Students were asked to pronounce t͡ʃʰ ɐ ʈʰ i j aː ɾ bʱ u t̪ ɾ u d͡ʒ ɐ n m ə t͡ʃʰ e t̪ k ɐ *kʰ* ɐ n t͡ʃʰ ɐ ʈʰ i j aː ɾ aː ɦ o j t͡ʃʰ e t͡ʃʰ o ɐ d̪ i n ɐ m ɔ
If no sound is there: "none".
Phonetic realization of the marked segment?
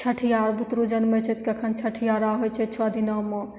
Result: kʰ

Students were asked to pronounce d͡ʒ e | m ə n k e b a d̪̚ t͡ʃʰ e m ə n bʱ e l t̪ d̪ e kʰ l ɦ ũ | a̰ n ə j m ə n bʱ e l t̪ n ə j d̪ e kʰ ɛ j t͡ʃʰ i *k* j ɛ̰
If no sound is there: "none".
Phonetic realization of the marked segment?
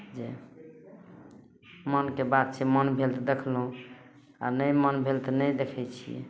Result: none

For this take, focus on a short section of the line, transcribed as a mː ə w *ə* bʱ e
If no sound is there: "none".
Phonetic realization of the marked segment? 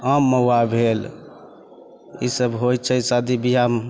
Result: a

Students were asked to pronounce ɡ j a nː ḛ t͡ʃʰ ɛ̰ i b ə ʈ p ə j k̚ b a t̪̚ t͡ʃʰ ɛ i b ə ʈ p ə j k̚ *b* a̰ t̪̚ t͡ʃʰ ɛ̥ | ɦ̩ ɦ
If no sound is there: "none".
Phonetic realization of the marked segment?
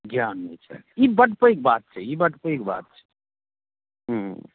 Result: b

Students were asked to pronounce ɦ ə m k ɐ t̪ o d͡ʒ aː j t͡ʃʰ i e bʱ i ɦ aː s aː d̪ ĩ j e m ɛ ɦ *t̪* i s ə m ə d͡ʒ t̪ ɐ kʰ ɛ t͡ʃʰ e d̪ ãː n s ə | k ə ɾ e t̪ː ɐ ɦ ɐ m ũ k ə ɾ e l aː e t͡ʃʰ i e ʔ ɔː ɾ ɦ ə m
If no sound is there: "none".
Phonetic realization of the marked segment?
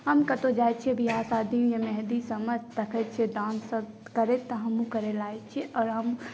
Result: d̪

